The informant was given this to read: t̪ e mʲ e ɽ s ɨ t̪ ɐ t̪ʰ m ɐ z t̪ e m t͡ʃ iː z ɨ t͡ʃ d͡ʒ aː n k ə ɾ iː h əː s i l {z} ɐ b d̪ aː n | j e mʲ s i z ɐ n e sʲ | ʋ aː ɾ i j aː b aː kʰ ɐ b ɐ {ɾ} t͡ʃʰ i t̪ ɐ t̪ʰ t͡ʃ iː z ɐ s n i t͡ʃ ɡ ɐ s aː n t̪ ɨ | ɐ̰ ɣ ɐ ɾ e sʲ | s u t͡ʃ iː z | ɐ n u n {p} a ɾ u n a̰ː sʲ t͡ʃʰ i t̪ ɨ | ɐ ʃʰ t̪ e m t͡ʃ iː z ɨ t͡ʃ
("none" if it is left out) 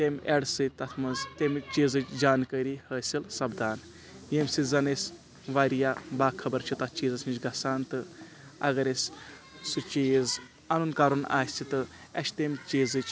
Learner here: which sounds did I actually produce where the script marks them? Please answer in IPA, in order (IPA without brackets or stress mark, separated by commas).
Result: s, ɾ, k